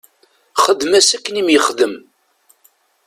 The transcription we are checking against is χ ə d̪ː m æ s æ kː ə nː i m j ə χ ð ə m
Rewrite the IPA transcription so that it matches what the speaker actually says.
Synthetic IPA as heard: χ ə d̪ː m æ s æ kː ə n i m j ə χ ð ə m